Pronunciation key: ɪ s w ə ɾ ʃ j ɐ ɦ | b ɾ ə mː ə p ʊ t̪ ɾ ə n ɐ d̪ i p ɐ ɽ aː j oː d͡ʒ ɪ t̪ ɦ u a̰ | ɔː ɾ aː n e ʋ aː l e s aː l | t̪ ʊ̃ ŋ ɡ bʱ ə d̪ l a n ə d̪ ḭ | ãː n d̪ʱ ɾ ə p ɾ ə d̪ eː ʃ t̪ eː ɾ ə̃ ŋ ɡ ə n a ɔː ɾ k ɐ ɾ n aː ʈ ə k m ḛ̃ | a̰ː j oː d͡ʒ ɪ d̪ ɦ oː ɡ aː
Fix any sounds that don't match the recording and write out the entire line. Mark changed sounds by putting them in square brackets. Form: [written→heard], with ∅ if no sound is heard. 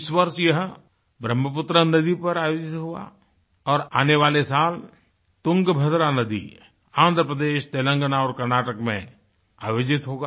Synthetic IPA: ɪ s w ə ɾ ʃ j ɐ ɦ | b ɾ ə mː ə p ʊ t̪ ɾ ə n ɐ d̪ i p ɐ [ɽ→ɾ] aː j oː d͡ʒ ɪ t̪ ɦ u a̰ | ɔː ɾ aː n e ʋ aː l e s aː l | t̪ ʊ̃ ŋ ɡ bʱ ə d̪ [l→ɾ] a n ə d̪ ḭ | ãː n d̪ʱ ɾ ə p ɾ ə d̪ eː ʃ t̪ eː [ɾ→l] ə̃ ŋ ɡ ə n a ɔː ɾ k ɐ ɾ n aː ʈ ə k m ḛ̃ | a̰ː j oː d͡ʒ ɪ [d̪→t̪] ɦ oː ɡ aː

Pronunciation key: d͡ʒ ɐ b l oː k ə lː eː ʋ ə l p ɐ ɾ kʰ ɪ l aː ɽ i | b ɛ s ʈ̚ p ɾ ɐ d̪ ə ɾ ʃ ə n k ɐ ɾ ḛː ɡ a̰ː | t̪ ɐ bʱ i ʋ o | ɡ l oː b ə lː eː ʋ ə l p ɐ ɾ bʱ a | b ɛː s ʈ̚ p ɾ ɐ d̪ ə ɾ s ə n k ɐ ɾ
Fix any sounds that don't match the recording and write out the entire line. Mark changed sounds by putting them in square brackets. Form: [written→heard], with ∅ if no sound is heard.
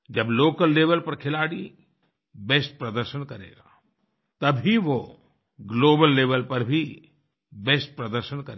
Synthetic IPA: d͡ʒ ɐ b l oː k ə lː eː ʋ ə l p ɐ ɾ kʰ ɪ l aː ɽ i | b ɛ s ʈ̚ p ɾ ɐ d̪ ə ɾ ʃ ə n k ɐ ɾ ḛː ɡ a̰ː | t̪ ɐ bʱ i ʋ o | ɡ l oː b ə lː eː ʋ ə l p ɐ ɾ bʱ [a→i] | b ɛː s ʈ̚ p ɾ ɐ d̪ ə ɾ [s→ʃ] ə n k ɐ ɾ

